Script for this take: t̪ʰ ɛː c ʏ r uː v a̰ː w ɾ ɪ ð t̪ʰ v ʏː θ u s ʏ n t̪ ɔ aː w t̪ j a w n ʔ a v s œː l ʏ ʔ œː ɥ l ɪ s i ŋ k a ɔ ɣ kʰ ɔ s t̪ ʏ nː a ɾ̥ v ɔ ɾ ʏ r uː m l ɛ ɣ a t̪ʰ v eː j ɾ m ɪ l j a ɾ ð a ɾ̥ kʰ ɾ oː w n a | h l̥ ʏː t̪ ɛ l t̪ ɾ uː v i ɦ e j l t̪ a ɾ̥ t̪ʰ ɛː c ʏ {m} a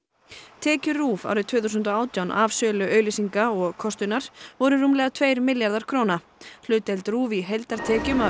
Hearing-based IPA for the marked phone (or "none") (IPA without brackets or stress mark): m